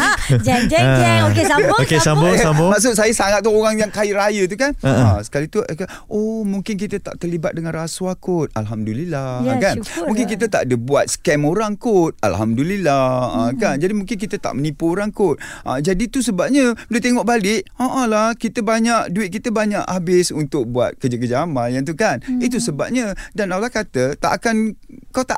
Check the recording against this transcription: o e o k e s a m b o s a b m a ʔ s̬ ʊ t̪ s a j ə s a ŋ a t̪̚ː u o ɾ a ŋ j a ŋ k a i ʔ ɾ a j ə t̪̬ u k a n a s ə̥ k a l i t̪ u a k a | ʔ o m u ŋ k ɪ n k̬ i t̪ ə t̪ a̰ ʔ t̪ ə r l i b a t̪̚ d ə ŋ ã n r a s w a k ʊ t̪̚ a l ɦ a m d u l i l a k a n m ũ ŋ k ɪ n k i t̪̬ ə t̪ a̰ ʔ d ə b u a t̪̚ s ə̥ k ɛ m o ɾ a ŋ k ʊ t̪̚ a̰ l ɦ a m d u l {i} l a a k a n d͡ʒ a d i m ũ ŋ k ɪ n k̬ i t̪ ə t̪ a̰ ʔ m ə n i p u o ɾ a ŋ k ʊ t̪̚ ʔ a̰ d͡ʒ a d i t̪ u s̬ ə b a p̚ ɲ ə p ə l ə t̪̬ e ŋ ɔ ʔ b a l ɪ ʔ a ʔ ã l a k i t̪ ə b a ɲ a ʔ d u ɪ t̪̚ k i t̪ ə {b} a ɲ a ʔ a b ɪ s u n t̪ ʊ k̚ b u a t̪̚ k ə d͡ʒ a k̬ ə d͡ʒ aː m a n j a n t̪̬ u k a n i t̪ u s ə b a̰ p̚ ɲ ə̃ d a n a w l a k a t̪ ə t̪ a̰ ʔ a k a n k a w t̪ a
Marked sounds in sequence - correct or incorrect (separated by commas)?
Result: correct, correct